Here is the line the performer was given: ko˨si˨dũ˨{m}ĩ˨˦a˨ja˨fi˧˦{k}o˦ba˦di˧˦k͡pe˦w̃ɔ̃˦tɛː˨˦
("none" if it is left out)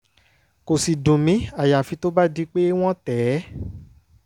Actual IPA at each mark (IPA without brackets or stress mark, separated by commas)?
m, t